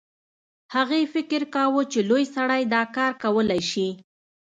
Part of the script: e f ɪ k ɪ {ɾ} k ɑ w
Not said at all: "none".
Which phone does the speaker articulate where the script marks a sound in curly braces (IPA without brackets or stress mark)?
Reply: ɾ